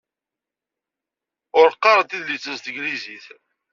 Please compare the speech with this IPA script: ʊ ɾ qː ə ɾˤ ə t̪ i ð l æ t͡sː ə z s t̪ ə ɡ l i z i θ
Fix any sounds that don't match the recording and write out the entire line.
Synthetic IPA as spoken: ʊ ɾ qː ɑ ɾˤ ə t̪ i ð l i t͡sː ə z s t̪ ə ɡ l i z i θ